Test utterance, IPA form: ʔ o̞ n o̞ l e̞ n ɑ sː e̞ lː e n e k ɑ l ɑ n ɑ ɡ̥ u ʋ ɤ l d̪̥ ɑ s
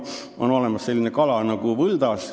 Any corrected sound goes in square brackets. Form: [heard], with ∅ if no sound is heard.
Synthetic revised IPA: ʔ o̞ n o̞ l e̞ [m] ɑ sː e̞ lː [i] n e k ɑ l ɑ n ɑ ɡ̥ u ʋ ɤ l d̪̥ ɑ s